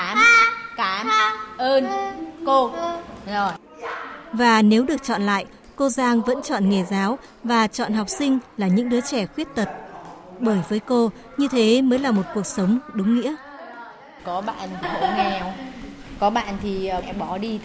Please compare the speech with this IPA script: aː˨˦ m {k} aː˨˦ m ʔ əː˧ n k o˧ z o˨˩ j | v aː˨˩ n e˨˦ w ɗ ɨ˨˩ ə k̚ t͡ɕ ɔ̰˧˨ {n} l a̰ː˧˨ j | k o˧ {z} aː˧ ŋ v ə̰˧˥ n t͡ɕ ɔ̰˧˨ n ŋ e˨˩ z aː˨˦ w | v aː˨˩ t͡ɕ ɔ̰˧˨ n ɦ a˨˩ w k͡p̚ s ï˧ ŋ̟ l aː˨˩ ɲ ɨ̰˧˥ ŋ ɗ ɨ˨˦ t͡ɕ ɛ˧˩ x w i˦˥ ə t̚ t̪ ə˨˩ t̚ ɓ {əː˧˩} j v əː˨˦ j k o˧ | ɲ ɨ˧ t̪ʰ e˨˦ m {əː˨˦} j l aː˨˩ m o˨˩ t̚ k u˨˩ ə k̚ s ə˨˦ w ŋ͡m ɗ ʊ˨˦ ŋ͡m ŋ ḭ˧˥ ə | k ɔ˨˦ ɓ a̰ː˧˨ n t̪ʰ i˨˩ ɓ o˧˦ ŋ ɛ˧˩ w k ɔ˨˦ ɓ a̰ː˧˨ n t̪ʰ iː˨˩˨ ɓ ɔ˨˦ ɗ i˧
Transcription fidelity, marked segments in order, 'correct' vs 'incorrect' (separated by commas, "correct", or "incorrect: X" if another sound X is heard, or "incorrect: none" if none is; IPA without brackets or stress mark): correct, correct, correct, correct, correct